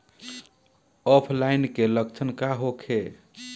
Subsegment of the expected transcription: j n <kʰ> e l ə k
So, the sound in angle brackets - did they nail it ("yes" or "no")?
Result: no